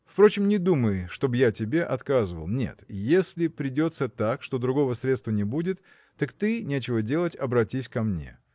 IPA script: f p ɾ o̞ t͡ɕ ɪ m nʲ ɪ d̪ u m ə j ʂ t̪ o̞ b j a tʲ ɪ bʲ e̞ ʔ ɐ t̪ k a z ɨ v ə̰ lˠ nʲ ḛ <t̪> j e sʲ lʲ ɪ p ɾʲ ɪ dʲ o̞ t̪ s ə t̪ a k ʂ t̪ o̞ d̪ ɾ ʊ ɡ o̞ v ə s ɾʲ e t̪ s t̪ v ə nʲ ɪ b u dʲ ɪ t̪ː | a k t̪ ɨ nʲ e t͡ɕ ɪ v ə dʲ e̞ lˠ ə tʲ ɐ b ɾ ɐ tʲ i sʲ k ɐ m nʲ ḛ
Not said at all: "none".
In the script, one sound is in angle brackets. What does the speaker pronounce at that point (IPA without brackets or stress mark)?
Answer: t̪